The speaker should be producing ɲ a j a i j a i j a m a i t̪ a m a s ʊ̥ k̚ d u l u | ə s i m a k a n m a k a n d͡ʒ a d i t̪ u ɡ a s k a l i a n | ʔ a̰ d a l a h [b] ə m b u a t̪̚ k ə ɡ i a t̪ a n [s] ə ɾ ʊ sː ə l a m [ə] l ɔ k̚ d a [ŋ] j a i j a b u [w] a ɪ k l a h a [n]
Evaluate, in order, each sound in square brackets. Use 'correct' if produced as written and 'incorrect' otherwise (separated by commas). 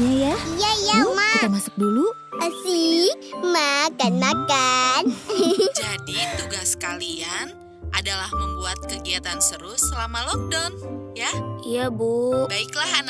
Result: incorrect, correct, incorrect, incorrect, incorrect, correct